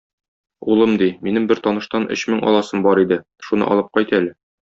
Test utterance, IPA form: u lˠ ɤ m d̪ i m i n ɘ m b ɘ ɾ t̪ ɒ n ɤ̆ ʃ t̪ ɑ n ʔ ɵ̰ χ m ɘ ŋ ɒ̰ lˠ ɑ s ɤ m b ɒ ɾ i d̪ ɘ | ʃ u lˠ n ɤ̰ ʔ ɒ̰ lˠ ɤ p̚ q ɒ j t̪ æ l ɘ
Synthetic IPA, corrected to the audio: u lˠ ɤ m d̪ i m i n ɘ m b ɘ ɾ t̪ ɒ n ɤ̆ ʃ t̪ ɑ n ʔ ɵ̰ ɕ m ɘ ŋ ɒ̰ lˠ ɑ s ɤ m b ɒ ɾ i d̪ ɘ | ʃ u n ɤ̰ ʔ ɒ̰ lˠ ɤ p̚ q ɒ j t̪ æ l ɘ